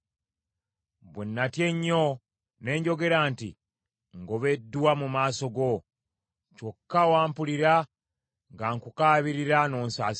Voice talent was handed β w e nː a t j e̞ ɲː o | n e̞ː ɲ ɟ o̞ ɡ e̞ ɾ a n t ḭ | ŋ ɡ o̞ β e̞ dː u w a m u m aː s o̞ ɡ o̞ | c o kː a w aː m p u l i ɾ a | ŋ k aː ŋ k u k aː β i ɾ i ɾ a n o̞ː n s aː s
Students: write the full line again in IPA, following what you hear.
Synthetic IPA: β w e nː a t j e̞ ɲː o | n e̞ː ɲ ɟ o̞ ɡ e̞ ɾ a n t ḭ | ŋ ɡ o̞ β e̞ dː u w a m u m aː s o̞ ɡ o̞ | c o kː a w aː m p u l i ɾ a | ŋ ɡ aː ŋ k u k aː β i ɾ i ɾ a n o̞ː n s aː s